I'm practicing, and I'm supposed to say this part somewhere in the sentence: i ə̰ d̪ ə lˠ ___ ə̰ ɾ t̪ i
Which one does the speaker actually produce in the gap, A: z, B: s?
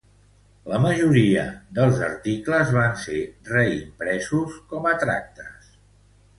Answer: A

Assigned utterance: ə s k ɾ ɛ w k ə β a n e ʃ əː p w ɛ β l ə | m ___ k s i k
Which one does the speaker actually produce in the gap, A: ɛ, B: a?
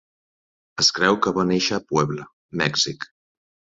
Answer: A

